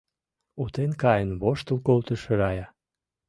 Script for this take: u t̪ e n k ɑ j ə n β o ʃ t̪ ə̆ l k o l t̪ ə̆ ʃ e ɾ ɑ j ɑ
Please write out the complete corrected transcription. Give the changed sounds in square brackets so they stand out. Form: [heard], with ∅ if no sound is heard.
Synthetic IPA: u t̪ e n k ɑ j ə n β o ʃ t̪ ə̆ l k o l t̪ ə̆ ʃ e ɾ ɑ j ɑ